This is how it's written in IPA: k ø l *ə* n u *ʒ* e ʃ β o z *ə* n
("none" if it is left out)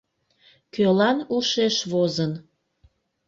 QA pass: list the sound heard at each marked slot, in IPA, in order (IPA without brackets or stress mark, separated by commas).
ɑ, ʃ, ə